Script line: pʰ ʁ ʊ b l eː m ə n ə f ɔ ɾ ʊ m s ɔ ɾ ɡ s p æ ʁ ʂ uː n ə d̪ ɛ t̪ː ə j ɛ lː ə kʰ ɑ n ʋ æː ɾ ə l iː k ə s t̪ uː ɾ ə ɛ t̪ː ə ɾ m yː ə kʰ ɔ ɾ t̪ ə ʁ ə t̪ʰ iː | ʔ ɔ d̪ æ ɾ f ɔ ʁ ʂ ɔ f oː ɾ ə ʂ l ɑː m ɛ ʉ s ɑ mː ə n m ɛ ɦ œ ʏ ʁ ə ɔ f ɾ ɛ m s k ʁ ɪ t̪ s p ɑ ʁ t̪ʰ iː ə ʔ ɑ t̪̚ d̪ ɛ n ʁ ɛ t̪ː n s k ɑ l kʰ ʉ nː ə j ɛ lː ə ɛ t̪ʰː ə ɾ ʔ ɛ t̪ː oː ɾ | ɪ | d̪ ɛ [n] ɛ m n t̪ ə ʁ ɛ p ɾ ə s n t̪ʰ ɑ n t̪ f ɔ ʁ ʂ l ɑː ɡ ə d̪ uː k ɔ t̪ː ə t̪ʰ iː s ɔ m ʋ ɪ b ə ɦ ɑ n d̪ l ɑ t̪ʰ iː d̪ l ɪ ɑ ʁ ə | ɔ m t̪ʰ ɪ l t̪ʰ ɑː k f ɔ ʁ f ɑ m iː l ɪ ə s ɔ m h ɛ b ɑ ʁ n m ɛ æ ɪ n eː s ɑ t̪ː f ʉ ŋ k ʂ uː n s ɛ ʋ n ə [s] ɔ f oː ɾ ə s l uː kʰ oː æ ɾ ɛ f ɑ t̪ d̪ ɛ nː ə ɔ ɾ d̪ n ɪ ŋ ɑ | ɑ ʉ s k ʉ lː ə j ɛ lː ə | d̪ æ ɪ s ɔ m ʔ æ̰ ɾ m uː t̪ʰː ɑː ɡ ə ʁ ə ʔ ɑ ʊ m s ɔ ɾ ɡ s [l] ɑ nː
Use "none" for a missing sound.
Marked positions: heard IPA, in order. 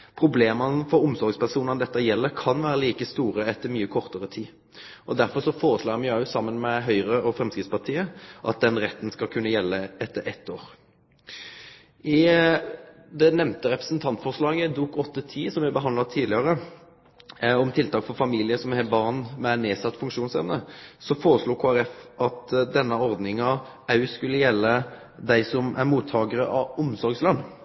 n, s, l

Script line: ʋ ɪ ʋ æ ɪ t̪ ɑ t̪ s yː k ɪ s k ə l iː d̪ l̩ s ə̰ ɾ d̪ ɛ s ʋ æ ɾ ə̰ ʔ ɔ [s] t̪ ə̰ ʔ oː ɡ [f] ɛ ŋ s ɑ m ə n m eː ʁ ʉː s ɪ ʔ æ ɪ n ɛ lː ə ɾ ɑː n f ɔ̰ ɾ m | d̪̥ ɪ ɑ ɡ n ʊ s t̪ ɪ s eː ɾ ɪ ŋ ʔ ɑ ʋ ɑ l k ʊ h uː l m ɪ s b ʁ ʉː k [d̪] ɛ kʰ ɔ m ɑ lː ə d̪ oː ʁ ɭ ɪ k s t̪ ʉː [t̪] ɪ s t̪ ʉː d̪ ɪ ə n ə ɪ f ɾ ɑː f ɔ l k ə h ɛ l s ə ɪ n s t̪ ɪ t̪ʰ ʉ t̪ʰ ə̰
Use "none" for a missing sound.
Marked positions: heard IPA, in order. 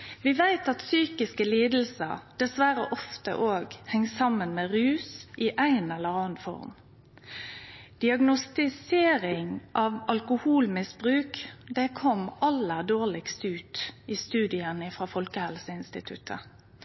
f, h, d̪, t̪

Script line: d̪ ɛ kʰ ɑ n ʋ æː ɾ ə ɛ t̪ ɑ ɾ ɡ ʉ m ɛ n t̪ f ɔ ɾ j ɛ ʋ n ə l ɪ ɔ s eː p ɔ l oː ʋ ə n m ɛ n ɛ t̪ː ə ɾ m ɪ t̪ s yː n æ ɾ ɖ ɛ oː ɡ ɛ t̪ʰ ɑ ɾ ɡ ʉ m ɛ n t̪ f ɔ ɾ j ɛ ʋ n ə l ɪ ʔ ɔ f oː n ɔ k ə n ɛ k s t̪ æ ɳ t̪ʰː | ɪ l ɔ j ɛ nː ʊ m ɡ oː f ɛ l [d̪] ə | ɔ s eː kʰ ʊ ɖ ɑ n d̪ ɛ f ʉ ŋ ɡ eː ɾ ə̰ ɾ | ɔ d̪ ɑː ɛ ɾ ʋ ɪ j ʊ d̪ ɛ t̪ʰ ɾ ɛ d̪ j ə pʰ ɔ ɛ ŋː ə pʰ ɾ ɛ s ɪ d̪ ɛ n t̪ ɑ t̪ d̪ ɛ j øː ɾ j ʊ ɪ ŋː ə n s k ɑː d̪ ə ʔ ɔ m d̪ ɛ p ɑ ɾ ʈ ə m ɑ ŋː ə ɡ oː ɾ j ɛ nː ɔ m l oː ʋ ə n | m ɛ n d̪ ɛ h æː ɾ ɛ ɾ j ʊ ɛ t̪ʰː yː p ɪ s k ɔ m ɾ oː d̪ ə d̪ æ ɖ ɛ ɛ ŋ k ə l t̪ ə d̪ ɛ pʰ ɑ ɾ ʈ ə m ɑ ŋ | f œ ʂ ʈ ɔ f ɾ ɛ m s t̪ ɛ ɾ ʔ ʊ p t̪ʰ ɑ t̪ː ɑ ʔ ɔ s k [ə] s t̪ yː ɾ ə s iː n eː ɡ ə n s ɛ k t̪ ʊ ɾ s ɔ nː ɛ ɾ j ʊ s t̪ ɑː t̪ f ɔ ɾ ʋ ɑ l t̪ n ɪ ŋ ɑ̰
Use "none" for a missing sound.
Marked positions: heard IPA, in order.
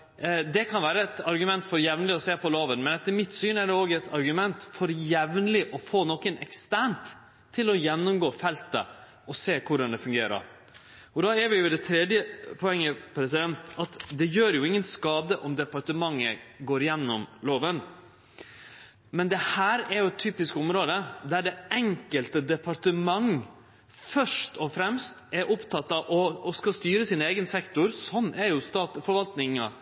t̪, ɑ

